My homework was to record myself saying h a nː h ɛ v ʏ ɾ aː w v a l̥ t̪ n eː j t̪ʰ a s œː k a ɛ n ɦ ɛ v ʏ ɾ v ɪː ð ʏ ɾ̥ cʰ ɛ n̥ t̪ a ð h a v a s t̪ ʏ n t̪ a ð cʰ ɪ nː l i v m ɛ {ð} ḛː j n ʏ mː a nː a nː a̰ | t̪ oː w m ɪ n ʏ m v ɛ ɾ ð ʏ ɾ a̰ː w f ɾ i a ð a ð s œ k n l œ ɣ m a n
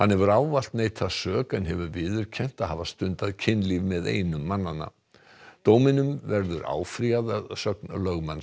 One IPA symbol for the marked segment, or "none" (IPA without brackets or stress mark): ð